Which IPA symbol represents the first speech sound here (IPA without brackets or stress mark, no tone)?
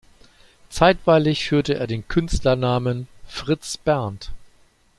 t͡s